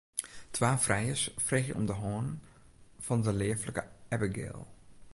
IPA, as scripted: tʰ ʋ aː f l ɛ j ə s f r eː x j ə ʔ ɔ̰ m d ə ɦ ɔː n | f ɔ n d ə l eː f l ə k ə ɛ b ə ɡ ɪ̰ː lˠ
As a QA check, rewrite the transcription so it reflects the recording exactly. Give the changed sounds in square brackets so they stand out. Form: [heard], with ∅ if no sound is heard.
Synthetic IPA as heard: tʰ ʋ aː f [r] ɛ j ə s f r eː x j ə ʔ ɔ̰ m d ə ɦ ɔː n | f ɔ n d ə l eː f l ə k ə ɛ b ə ɡ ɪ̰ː lˠ